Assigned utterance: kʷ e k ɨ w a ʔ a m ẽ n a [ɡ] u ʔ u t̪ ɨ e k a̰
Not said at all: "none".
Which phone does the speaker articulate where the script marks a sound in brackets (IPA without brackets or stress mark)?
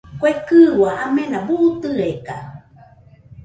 b